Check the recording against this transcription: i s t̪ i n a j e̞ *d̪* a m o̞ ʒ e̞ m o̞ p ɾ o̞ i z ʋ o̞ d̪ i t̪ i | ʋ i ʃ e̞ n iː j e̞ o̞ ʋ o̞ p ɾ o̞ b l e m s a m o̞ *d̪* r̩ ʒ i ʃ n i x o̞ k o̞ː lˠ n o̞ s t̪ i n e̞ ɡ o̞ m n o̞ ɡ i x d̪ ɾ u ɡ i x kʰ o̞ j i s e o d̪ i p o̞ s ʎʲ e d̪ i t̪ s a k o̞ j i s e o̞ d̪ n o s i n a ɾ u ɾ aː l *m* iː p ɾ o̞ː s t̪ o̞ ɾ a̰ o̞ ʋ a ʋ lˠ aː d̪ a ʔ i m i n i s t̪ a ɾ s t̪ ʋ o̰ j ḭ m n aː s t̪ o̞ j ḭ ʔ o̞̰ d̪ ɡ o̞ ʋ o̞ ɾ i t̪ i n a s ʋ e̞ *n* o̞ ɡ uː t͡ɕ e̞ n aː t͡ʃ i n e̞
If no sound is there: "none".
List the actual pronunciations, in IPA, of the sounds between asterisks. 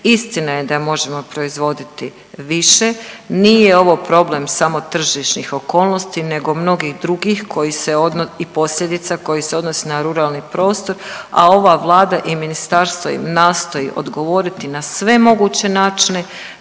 d̪, t̪, n, m

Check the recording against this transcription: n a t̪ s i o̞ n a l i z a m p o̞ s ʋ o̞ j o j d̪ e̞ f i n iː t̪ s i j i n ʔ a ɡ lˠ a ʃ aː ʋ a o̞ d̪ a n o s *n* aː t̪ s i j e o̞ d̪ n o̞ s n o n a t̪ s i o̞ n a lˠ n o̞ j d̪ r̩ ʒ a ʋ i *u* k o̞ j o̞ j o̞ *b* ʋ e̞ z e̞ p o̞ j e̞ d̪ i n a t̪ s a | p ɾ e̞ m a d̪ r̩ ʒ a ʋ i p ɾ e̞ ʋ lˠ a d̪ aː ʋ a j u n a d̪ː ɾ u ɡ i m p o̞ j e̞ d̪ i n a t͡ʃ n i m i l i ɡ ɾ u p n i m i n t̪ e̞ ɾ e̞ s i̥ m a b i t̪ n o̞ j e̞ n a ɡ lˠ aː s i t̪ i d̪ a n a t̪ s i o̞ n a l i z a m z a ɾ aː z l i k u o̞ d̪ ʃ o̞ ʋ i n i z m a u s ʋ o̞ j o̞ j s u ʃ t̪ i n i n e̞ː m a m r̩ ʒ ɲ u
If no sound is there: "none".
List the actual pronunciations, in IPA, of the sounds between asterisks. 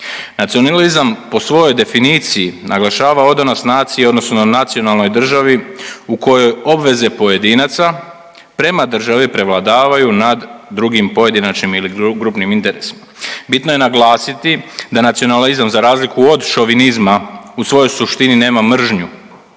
n, u, b

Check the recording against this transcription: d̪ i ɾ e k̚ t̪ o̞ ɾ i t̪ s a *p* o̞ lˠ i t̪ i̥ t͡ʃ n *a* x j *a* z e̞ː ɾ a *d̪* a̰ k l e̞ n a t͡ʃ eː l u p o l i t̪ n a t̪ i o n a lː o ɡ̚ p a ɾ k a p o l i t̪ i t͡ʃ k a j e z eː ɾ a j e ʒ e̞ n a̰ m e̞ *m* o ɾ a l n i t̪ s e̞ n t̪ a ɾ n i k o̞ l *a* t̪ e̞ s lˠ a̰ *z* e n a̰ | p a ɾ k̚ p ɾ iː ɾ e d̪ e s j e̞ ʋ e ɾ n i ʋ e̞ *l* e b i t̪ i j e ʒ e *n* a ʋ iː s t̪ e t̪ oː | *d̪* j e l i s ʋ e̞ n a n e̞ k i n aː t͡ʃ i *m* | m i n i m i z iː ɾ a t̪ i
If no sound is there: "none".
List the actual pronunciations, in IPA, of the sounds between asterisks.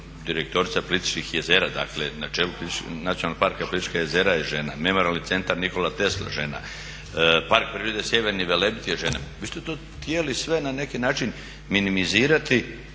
p, i, e, d̪, m, a, ʒ, l, n, t̪, n

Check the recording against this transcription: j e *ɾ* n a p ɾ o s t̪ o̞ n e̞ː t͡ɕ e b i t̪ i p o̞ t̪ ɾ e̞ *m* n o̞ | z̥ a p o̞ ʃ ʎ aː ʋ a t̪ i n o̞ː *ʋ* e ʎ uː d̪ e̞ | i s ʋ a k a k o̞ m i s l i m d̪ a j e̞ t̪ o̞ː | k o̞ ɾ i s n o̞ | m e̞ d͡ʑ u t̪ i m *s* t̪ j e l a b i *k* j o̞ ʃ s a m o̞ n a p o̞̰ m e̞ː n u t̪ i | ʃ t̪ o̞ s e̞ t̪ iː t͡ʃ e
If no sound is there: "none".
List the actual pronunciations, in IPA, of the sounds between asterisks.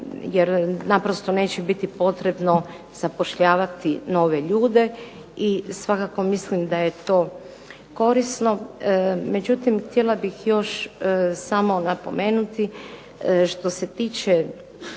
ɾ, b, ʋ, x, x

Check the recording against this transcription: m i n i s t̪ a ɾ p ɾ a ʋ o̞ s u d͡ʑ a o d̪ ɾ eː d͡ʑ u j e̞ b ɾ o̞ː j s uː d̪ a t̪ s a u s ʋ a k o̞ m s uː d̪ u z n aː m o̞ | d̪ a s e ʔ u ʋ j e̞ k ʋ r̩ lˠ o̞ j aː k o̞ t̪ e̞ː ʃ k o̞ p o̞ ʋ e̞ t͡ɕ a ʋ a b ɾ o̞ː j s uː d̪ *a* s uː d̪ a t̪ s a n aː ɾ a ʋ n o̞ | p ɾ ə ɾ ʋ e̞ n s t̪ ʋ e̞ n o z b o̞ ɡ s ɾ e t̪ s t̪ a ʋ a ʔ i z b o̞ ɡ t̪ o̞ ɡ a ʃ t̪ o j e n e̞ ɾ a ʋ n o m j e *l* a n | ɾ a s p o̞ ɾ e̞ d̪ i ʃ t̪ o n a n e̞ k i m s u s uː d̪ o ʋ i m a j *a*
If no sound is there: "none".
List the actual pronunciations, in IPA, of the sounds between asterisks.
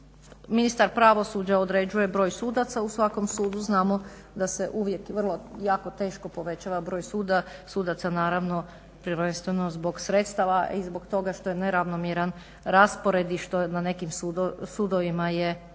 a, ɾ, e

